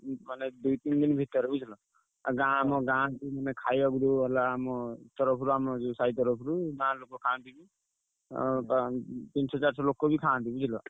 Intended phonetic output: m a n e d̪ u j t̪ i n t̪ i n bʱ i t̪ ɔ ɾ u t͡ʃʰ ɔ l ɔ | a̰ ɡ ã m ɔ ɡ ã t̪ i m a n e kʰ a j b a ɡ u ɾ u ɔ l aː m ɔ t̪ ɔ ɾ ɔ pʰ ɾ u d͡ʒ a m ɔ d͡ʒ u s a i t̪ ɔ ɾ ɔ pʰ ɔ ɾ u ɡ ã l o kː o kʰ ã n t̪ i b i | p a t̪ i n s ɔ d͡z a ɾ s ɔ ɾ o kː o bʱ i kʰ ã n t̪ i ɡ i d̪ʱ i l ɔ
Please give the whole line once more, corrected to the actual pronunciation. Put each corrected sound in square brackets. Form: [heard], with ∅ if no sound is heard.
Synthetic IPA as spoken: m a n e d̪ u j t̪ i n [d̪] i n bʱ i t̪ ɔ ɾ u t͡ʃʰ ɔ l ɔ | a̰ ɡ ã m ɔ ɡ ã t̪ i m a n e kʰ a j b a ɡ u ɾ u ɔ l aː m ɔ t̪ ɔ ɾ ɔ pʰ ɾ u [∅] a m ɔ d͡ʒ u s a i t̪ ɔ ɾ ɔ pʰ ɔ ɾ u ɡ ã l o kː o kʰ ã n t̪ i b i | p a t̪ i n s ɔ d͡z a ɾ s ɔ [l] o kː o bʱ i kʰ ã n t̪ i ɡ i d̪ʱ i l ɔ

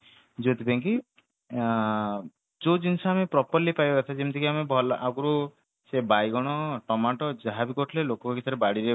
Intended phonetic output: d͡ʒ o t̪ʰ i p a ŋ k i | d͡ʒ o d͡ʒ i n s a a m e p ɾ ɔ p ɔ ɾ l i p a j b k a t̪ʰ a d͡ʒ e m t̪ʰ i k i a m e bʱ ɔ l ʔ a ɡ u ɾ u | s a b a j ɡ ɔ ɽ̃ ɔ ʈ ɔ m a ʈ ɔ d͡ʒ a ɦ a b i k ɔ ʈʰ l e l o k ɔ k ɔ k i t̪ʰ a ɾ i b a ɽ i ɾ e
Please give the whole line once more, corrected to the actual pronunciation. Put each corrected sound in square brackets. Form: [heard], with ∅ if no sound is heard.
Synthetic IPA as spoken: d͡ʒ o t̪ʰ i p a ŋ k i | d͡ʒ o d͡ʒ i n s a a m e p ɾ ɔ p ɔ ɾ l i p a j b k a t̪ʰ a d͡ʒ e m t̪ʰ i k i a m e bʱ ɔ l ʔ a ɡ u ɾ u | s [e] b a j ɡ ɔ ɽ̃ ɔ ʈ ɔ m a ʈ ɔ d͡ʒ a ɦ a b i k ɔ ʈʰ l e l o k ɔ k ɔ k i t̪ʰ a ɾ [e] b a ɽ i ɾ e

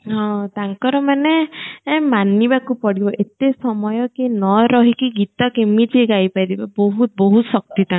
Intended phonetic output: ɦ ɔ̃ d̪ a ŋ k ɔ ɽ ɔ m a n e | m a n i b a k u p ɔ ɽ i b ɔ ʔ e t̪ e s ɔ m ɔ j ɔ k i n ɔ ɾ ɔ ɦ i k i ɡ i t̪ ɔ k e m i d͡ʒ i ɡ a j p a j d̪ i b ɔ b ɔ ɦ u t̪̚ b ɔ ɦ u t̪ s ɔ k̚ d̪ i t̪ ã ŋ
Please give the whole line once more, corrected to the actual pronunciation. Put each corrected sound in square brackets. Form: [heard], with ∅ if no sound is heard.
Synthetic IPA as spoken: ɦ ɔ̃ [t̪] a ŋ k ɔ [ɾ] ɔ m a n e | m a n i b a k u p ɔ ɽ i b ɔ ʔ e t̪ e s ɔ m ɔ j ɔ k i n ɔ ɾ ɔ ɦ i k i ɡ i t̪ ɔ k e m i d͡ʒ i ɡ a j p a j d̪ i b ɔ b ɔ ɦ u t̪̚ b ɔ ɦ u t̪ s ɔ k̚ [t̪] i t̪ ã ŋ

